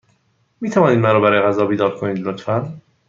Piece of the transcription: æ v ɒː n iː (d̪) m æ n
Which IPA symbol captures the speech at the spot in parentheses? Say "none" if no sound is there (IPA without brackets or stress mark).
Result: d̪